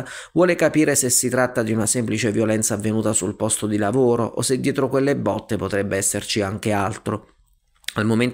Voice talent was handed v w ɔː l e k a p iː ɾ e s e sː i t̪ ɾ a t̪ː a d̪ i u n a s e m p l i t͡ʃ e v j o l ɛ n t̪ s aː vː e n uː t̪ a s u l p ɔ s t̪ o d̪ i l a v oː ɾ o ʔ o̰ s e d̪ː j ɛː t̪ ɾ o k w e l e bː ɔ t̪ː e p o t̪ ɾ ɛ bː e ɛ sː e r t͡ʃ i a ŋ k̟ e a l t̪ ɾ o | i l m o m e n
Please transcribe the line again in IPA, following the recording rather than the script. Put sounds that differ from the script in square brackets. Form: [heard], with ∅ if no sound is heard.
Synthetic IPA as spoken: v w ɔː l e k a p iː ɾ e s e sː i t̪ ɾ a t̪ː a d̪ i u n a s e m p l i t͡ʃ e v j o l ɛ n t̪ s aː vː e n uː t̪ a s u l p ɔ s t̪ o d̪ i l a v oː ɾ o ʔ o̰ s e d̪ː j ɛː t̪ ɾ o k w e [lː] e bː ɔ t̪ː e p o t̪ ɾ ɛ bː e ɛ sː e r t͡ʃ i a ŋ k̟ e a l t̪ ɾ o | [a] l m o m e n